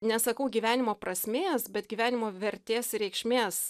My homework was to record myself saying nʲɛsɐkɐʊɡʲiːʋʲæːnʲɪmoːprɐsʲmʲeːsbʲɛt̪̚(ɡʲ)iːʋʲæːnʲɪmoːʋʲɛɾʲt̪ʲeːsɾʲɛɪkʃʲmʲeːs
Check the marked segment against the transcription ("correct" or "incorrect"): correct